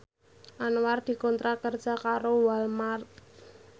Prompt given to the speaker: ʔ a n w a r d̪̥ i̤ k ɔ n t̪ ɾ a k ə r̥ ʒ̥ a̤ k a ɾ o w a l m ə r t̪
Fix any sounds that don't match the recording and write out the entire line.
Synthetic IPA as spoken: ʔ a n w a r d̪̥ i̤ k ɔ n t̪ ɾ a k ə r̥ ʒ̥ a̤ k a ɾ o w a l m a r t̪